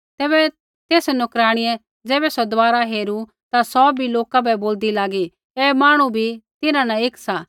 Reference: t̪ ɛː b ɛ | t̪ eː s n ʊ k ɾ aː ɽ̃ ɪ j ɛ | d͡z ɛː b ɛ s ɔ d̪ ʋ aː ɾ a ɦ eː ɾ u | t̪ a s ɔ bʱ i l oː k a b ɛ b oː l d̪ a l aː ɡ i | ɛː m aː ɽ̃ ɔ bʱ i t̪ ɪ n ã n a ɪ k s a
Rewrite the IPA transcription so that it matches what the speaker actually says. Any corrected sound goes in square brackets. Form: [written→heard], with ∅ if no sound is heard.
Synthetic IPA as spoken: t̪ ɛː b ɛ | t̪ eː s n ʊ k ɾ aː ɽ̃ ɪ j ɛ | d͡z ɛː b ɛ s ɔ d̪ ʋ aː ɾ a ɦ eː ɾ u | t̪ a s ɔ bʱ i l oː k a b ɛ b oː l d̪ [a→i] l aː ɡ i | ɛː m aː ɽ̃ [ɔ→u] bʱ i t̪ ɪ n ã n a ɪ k s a